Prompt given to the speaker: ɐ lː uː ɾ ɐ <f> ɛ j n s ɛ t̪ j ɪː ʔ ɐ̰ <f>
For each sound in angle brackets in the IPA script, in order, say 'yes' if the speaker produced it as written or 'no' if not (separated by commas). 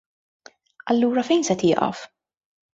yes, yes